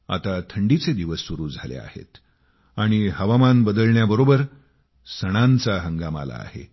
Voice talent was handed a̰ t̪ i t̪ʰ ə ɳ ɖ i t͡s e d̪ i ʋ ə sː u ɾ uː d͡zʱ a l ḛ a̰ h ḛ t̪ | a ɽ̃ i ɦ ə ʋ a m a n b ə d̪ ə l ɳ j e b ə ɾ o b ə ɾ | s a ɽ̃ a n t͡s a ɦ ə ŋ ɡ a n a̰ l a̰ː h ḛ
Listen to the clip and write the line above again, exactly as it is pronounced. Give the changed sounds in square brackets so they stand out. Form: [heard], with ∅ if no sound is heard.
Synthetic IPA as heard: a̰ t̪ [a] t̪ʰ ə ɳ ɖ i t͡s e d̪ i ʋ ə sː u ɾ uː d͡zʱ a l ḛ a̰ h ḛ t̪ | a ɽ̃ i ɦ ə ʋ a m a n b ə d̪ ə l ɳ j [a] b ə ɾ o b ə ɾ | s [ə] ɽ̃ a n t͡s a ɦ ə ŋ ɡ a [m] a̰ l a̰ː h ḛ

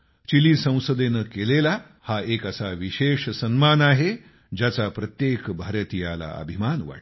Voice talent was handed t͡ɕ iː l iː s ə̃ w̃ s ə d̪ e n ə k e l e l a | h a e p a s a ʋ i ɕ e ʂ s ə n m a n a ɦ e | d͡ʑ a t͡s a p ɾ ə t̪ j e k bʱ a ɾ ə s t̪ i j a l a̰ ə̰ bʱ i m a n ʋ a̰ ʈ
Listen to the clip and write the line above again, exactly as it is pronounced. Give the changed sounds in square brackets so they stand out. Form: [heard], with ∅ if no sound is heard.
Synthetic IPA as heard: t͡ɕ [i] l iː s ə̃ w̃ s ə d̪ e n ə k e l e l a | h a e [k] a s a ʋ i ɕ e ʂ s ə n m a n a ɦ e | d͡ʑ a t͡s a p ɾ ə t̪ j e k bʱ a ɾ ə [∅] t̪ i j a l a̰ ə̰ bʱ i m a n ʋ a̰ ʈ

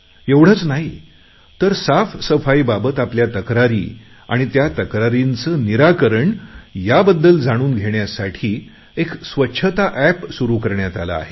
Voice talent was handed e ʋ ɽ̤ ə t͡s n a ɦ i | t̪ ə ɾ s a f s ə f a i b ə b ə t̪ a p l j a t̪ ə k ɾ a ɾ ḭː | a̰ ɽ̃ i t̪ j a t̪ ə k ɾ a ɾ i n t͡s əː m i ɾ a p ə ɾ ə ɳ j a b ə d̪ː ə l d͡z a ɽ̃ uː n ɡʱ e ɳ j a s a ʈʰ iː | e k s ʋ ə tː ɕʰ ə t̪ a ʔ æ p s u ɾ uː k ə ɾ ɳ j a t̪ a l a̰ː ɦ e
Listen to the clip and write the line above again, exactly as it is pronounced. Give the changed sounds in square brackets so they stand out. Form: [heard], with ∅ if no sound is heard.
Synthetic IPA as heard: e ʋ ɽ̤ ə t͡s n a ɦ i | t̪ ə ɾ s a f s ə f a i b [a] b ə t̪ a p l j a t̪ ə k ɾ a ɾ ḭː | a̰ ɽ̃ i t̪ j a t̪ ə k ɾ a ɾ i n t͡s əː [n] i ɾ a [k] ə ɾ ə ɳ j a b ə d̪ː ə l d͡z a ɽ̃ uː n ɡʱ e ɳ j a s a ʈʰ iː | e k s ʋ ə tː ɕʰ ə t̪ a ʔ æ p s u ɾ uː k ə ɾ ɳ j a t̪ a l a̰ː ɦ e

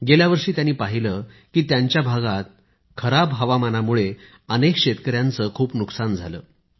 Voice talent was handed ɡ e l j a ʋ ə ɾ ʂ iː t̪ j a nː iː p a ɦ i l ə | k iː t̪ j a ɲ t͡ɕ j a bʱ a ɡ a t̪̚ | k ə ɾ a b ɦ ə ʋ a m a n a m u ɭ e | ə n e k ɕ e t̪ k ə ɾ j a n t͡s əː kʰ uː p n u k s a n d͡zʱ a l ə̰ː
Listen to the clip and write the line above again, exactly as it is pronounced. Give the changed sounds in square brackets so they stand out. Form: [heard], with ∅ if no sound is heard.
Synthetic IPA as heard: ɡ e l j a ʋ ə ɾ ʂ iː t̪ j a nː iː p a ɦ i l ə | k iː t̪ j a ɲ t͡ɕ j a bʱ a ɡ a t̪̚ | [kʰ] ə ɾ a b ɦ ə ʋ a m a n a m u ɭ e | ə n e k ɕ e t̪ k ə ɾ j a n t͡s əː kʰ uː p n u k s a n d͡zʱ a l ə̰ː

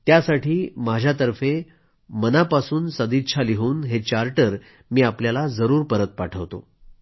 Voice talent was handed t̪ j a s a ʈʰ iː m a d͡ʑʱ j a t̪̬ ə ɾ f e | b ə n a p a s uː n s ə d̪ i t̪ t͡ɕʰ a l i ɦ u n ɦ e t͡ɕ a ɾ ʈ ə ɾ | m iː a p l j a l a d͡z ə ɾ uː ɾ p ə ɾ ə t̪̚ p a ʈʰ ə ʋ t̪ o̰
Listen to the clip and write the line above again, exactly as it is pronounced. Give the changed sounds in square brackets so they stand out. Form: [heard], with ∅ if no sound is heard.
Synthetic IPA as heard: t̪ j a s a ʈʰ iː m a d͡ʑʱ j a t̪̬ ə ɾ f e | [m] ə n a p a s uː n s ə d̪ i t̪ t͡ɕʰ a l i ɦ [uː] n ɦ e t͡ɕ a ɾ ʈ ə ɾ | m iː a p l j a l a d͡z ə ɾ uː ɾ p ə ɾ ə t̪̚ p a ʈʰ ə ʋ t̪ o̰

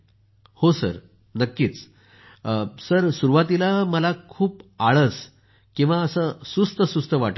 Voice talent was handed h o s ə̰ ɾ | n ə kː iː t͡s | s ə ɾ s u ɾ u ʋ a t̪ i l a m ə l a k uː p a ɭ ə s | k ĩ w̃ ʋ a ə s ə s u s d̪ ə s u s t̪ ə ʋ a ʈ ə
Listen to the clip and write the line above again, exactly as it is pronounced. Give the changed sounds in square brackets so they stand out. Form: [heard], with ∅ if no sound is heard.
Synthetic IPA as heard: h o s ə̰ ɾ | n ə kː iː t͡s | s ə ɾ s u ɾ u ʋ a t̪ i l a m ə l a [kʰ] uː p a ɭ ə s | k ĩ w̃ ʋ a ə s ə s u s [t̪] ə s u s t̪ ə ʋ a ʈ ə

